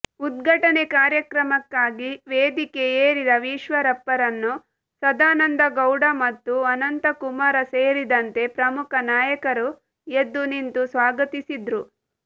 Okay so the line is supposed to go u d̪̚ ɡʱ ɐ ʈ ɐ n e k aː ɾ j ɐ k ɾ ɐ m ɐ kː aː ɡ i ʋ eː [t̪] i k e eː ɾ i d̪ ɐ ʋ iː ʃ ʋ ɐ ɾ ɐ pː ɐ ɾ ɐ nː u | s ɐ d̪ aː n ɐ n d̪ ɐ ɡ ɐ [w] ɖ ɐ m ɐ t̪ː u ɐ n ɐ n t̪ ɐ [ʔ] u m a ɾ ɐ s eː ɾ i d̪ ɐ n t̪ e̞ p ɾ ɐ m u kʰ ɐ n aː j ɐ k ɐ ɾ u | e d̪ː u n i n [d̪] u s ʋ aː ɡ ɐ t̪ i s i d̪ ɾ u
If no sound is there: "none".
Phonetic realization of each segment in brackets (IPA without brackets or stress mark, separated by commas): d̪, w, k, t̪